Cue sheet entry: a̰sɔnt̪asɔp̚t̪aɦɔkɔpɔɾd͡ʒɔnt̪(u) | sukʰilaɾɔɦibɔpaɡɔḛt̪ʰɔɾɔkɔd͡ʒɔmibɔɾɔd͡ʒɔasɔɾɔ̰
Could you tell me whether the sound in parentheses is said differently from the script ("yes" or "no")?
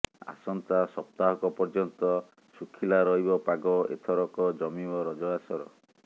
yes